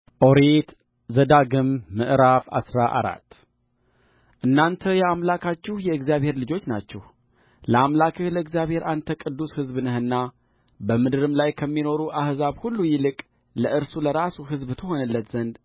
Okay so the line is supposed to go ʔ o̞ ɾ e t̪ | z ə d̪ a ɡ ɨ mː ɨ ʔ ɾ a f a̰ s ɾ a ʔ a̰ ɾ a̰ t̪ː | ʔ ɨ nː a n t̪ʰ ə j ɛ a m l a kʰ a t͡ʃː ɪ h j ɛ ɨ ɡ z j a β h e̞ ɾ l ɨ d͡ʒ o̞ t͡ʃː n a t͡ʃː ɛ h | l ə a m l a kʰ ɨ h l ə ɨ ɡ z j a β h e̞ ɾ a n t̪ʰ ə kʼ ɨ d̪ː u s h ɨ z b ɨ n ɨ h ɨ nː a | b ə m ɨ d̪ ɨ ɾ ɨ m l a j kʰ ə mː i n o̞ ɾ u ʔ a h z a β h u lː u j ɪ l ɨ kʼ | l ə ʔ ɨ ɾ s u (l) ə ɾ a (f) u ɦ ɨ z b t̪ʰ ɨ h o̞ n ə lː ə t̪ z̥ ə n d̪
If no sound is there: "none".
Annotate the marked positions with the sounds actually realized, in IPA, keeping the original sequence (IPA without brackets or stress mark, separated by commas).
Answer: l, s